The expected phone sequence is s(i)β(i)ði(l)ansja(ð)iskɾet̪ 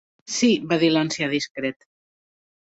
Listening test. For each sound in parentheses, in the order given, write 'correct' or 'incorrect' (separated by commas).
correct, incorrect, correct, correct